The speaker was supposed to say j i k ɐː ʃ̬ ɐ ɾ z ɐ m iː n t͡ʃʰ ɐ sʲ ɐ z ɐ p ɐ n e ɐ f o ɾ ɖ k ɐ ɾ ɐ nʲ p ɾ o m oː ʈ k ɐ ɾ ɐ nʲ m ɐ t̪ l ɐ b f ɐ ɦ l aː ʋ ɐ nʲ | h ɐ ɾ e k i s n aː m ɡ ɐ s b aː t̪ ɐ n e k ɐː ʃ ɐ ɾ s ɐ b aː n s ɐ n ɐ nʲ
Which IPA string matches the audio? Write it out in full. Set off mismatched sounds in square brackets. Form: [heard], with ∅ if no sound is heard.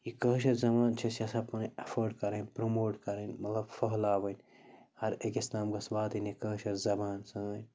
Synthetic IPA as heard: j i k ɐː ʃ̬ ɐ ɾ z ɐ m [aː] n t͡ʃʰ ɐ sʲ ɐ [s] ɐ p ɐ n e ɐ f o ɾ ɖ k ɐ ɾ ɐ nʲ p ɾ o m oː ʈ k ɐ ɾ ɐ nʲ m ɐ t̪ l ɐ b f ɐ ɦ l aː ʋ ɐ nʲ | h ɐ ɾ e k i s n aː m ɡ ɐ s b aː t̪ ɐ n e k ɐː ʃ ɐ ɾ [z] ɐ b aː n s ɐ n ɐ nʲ